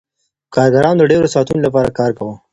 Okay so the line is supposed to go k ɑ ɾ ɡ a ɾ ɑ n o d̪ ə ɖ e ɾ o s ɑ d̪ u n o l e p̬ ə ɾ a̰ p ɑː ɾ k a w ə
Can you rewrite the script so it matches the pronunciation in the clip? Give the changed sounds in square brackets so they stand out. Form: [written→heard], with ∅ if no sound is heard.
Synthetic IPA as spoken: k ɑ ɾ ɡ a ɾ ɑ n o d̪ ə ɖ e ɾ o s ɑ [d̪→t̪] u n o l [e→a] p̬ [ə→ɑ] ɾ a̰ [p→k] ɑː ɾ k a w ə